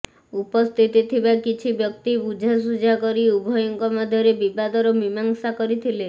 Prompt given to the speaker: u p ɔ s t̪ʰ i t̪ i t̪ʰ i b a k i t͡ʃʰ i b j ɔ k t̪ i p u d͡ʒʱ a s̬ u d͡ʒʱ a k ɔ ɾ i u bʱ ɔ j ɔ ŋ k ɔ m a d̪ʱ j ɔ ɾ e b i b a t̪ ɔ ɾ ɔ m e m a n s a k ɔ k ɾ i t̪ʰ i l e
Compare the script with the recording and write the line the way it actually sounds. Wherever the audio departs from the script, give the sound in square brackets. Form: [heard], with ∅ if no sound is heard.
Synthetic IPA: u p ɔ s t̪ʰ i t̪ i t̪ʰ i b a k i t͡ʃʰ i b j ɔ k t̪ i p u d͡ʒʱ a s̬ u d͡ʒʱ a k ɔ ɾ i u bʱ ɔ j ɔ ŋ k ɔ m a d̪ʱ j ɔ ɾ e b i b a [d̪] ɔ ɾ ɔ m [i] m a [ŋ] s a k ɔ [∅] ɾ i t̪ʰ i l e